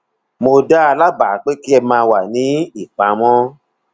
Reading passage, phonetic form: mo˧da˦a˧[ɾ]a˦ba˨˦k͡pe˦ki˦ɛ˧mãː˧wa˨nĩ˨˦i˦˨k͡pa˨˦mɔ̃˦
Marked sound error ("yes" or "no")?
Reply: yes